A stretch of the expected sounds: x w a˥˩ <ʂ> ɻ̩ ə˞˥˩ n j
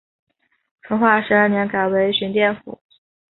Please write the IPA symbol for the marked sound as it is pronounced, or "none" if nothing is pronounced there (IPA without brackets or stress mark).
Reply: ʂ